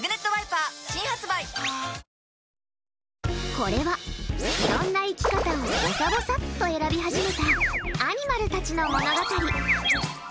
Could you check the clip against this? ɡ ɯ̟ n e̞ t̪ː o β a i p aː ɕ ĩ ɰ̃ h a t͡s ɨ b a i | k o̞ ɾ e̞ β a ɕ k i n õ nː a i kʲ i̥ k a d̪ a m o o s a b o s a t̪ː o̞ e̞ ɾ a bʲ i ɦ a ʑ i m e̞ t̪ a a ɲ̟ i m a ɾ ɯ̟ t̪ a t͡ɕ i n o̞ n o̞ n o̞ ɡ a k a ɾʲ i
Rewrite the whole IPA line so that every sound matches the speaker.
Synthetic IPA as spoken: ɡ ɯ̟ n e̞ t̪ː o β a i p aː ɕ ĩ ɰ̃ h a t͡s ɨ b a i | k o̞ ɾ e̞ β a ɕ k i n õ nː a i kʲ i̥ k a t̪ a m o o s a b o s a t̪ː o̞ e̞ ɾ a bʲ i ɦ a ʑ i m e̞ t̪ a a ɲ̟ i m a ɾ ɯ̟ t̪ a t͡ɕ i n o̞ m o̞ n o̞ ɡ a k a ɾʲ i

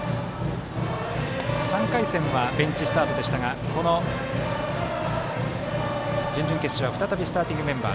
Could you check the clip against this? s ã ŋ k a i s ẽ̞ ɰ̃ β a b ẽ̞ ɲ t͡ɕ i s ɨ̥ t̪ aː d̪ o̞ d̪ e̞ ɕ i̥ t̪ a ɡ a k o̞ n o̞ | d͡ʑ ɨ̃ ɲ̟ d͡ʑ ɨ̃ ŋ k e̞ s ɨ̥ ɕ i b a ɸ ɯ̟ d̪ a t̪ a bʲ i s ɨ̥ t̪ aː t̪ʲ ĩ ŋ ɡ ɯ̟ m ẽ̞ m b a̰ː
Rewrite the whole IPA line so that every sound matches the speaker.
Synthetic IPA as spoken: s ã ŋ k a i s ẽ̞ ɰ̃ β a b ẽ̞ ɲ t͡ɕ i s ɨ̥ t̪ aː t̪ o̞ d̪ e̞ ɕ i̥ t̪ a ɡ a k o̞ n o̞ | d͡ʑ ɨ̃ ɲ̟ d͡ʑ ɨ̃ ŋ k e̞ s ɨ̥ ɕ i β a ɸ ɯ̟ t̪ a t̪ a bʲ i s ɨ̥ t̪ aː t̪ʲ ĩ ŋ ɡ ɯ̟ m ẽ̞ m b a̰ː

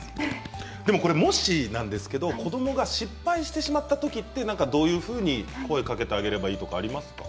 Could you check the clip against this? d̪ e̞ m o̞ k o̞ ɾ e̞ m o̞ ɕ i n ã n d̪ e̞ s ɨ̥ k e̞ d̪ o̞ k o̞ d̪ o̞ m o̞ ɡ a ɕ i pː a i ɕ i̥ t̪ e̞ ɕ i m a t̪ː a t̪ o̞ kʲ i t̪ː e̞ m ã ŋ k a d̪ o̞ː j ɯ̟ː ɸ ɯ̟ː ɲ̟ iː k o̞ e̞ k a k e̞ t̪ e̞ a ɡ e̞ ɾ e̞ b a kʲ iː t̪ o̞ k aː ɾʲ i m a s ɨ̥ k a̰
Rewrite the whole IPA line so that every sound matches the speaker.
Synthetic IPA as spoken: d̪ e̞ m o̞ k o̞ ɾ e̞ m o̞ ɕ i n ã n d̪ e̞ s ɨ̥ k e̞ d̪ o̞ k o̞ d̪ o̞ m o̞ ɡ a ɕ i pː a i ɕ i̥ t̪ e̞ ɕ i m a t̪ː a t̪ o̞ kʲ i t̪ː e̞ n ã ŋ k a d̪ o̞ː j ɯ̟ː ɸ ɯ̟ː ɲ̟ i k o̞ e̞ k a k e̞ t̪ e̞ a ɡ e̞ ɾ e̞ b a iː t̪ o̞ k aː ɾʲ i m a s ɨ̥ k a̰

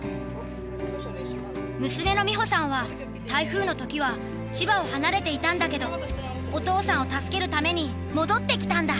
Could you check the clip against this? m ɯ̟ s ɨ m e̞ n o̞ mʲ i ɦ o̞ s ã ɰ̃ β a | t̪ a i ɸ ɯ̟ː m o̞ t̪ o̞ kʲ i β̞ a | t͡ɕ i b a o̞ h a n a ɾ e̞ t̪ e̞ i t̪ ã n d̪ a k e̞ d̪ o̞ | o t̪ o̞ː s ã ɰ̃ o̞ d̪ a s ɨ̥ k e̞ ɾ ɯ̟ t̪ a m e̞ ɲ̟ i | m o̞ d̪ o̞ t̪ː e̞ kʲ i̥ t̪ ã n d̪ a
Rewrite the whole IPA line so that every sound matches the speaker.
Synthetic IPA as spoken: m ɯ̟ s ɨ m e̞ n o̞ mʲ i ɦ o̞ s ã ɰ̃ β a | t̪ a i ɸ ɯ̟ː n o̞ t̪ o̞ kʲ i β̞ a | t͡ɕ i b a o̞ h a n a ɾ e̞ t̪ e̞ i t̪ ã n d̪ a k e̞ d̪ o̞ | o t̪ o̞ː s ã ɰ̃ o̞ t̪ a s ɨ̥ k e̞ ɾ ɯ̟ t̪ a m e̞ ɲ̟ i | m o̞ d̪ o̞ t̪ː e̞ kʲ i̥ t̪ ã n d̪ a

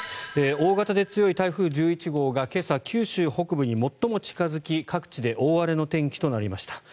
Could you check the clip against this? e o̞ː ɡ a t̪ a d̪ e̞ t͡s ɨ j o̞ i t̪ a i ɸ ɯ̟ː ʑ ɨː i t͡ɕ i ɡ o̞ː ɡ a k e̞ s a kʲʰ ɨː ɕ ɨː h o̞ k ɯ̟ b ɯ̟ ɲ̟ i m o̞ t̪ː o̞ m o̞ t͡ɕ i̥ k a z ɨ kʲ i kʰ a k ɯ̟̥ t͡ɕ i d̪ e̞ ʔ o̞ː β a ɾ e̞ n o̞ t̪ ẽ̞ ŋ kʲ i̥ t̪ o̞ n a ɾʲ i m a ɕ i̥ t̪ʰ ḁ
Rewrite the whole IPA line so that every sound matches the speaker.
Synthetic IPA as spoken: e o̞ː ɡ a t̪ a d̪ e̞ t͡s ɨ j o̞ i t̪ a i ɸ ɯ̟ː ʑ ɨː i t͡ɕ i ɡ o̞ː ɡ a k e̞ s a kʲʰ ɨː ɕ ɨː h o̞ k ɯ̟ b ɯ̟ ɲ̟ i m o̞ t̪ː o̞ m o̞ t͡ɕ i̥ k a z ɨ kʲ i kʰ a k ɯ̟̥ t͡ɕ i d̪ e̞ ʔ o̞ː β a ɾ e̞ n o̞ t̪ ẽ̞ ŋ kʲ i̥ t̪ o̞ n a ɾʲ i m a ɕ i̥ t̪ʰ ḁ

